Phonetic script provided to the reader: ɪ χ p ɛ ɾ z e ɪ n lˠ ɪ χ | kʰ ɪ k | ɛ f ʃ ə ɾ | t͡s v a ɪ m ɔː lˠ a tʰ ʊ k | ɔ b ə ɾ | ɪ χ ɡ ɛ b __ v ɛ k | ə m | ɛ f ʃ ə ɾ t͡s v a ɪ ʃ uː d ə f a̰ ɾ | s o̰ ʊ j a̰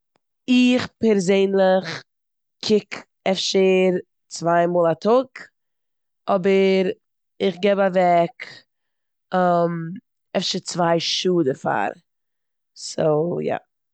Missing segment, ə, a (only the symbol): a